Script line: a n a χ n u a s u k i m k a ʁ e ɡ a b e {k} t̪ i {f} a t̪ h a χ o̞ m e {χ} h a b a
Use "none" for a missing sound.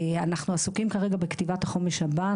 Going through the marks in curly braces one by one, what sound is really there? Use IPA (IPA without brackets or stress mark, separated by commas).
k, v, ʃ